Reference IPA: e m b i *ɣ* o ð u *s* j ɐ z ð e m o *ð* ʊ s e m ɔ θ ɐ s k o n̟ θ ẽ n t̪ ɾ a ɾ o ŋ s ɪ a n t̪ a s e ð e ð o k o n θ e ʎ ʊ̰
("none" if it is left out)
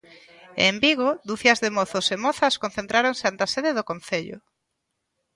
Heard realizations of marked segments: ɣ, θ, θ

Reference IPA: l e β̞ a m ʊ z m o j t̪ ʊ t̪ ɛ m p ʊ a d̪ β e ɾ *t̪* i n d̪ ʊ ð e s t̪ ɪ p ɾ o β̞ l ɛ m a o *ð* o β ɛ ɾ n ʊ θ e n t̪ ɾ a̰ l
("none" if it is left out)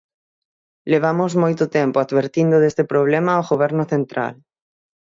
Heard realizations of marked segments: t̪, ɣ

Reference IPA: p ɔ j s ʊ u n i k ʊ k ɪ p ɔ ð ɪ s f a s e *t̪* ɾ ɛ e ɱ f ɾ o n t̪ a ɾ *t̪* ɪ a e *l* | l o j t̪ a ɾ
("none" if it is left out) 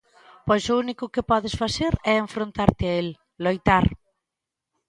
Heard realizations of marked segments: none, t̪, l

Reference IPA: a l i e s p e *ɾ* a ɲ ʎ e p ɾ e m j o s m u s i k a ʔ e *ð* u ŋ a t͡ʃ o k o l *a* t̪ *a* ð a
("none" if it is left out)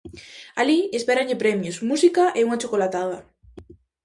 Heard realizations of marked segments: ɾ, none, a, a

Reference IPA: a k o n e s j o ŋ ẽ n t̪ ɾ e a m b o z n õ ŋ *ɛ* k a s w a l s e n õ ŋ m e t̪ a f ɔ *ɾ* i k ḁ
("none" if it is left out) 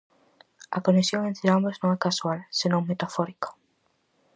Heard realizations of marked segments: ɛ, ɾ

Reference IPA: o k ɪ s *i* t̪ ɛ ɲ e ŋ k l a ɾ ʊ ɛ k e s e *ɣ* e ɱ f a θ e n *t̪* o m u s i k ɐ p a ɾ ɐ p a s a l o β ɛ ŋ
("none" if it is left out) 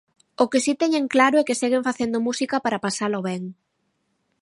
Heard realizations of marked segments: i, ɣ, d̪

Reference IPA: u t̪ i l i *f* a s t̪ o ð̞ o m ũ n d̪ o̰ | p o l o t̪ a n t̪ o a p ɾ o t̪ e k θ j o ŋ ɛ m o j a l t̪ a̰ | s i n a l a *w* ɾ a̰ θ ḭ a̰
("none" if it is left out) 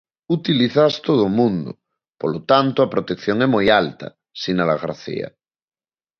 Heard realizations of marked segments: θ, ɣ

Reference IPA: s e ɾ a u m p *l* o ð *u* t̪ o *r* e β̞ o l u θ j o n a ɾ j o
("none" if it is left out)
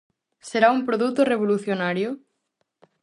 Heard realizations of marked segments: ɾ, u, r

